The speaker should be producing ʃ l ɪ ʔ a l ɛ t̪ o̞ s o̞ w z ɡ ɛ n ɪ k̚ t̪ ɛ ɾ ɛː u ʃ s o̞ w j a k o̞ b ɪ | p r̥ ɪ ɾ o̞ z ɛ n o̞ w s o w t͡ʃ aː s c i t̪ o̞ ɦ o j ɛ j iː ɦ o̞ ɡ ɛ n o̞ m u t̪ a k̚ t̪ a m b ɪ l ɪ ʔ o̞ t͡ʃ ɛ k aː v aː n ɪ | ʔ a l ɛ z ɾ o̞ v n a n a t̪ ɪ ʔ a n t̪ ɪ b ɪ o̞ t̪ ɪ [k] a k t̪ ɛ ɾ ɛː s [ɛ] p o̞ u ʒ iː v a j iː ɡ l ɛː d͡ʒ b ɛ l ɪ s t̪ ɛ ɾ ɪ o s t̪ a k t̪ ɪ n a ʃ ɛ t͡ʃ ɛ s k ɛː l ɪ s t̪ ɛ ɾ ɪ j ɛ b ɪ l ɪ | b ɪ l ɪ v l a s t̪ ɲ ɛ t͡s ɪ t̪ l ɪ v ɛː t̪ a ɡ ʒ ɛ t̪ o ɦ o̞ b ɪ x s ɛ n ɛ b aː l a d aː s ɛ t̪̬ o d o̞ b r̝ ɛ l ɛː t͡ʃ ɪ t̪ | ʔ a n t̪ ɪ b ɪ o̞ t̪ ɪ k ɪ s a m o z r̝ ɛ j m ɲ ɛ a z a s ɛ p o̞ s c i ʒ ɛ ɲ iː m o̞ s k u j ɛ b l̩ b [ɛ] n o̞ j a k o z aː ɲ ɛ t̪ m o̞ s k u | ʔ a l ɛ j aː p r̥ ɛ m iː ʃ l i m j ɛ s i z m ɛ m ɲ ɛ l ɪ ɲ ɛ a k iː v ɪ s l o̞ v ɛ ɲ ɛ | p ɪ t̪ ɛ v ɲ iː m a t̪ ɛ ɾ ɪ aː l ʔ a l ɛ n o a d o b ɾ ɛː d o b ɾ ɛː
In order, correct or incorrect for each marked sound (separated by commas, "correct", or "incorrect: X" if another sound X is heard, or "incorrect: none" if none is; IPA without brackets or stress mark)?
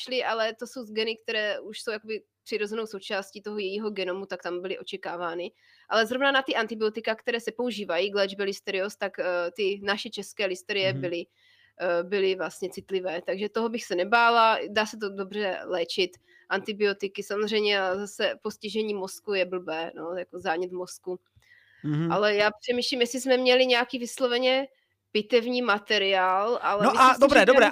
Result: correct, correct, incorrect: ɛː